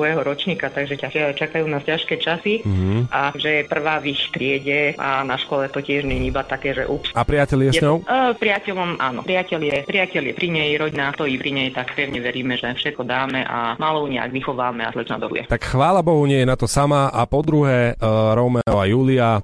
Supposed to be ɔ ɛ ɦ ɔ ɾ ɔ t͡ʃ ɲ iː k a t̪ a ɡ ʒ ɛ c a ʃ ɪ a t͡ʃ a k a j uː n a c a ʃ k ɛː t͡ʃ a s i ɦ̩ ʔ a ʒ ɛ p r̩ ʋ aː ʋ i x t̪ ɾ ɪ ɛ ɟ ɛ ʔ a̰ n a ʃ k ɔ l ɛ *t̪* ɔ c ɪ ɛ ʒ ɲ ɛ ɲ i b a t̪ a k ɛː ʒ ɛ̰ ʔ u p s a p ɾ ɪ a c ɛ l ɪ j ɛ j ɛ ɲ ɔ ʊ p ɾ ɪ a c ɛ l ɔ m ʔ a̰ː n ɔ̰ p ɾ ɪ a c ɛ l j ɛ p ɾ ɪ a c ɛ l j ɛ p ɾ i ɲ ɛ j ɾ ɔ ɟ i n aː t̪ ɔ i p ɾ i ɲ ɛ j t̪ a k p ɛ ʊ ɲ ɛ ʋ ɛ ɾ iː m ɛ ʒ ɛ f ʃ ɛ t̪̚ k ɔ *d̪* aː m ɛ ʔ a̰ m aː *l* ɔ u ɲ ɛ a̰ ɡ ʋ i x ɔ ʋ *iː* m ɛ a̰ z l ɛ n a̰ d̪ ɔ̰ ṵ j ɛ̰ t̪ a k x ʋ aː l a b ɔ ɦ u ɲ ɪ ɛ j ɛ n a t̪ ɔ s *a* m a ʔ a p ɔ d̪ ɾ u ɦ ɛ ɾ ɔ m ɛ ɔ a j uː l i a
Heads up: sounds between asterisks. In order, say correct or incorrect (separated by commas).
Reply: correct, correct, correct, incorrect, correct